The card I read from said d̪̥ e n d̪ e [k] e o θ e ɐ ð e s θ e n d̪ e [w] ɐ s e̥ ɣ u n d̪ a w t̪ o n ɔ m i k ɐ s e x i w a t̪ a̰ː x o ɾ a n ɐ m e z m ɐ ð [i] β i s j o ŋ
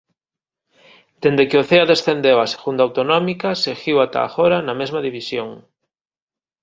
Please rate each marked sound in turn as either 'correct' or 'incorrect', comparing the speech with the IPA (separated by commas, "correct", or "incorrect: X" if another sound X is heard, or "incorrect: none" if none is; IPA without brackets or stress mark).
correct, correct, correct